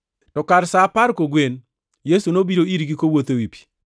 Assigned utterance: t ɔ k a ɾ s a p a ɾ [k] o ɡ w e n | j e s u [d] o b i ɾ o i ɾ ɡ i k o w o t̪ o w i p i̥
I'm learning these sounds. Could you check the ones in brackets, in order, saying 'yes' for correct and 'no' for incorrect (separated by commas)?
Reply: yes, no